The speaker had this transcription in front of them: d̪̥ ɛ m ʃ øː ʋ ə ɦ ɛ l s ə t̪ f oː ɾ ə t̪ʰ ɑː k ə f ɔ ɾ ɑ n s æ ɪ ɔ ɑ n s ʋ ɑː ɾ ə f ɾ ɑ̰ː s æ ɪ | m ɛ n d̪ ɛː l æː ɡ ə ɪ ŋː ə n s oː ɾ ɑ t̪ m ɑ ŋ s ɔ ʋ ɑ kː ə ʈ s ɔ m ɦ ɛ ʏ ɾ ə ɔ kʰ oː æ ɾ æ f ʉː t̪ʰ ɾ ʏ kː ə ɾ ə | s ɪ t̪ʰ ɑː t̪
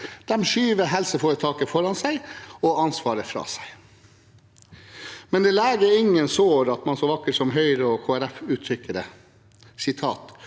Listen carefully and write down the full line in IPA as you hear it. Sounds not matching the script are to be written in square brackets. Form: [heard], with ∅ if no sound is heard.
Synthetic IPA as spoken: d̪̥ ɛ m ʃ [yː] ʋ ə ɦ ɛ l s ə [∅] f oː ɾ ə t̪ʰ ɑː k ə f ɔ ɾ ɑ n s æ ɪ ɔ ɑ n s ʋ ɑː ɾ ə f ɾ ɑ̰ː s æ ɪ | m ɛ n d̪ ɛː l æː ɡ ə ɪ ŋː ə n s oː ɾ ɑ t̪ m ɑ [n] s ɔ ʋ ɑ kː ə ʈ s ɔ m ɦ [œ] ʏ ɾ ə ɔ kʰ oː æ ɾ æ f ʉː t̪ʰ ɾ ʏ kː ə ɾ ə | s ɪ t̪ʰ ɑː t̪